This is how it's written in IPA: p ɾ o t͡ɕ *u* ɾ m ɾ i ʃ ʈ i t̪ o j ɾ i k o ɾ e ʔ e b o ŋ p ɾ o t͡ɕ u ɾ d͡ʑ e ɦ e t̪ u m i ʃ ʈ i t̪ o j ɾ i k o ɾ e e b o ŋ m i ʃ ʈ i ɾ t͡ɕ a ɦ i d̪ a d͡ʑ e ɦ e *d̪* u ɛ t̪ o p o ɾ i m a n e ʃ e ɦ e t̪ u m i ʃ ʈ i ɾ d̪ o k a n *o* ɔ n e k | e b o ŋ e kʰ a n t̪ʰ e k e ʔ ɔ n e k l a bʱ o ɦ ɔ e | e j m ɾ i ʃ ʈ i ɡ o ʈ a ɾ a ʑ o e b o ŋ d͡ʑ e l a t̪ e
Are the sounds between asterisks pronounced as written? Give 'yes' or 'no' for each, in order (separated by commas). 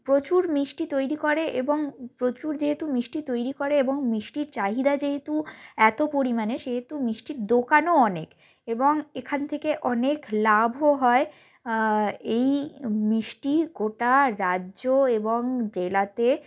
yes, no, yes